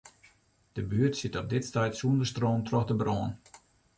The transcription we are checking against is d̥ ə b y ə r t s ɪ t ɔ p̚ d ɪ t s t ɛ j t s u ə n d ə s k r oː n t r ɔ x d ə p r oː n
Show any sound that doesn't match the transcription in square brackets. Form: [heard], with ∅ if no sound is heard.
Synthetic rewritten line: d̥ ə b y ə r t s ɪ t ɔ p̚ d ɪ t s t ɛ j t s u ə n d ə s [t] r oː n t r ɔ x d ə [b] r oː n